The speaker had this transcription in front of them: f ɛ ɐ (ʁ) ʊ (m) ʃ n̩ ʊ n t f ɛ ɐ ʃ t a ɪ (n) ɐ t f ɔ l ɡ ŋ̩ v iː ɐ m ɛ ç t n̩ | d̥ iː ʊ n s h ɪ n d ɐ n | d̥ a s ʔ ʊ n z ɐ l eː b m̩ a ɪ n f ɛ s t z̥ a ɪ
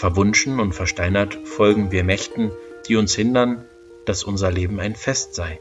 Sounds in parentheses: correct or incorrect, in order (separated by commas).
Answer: incorrect, incorrect, correct